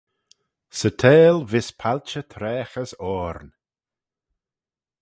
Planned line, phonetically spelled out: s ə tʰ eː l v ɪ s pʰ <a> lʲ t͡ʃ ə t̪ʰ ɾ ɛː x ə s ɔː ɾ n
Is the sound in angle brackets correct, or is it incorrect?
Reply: correct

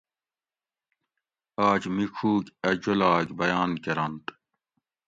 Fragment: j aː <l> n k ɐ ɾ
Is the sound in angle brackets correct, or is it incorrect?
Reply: incorrect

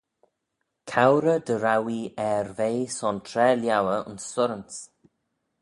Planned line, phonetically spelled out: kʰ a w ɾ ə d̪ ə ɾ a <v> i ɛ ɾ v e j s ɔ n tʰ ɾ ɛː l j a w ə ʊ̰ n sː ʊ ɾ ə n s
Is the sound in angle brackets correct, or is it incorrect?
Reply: incorrect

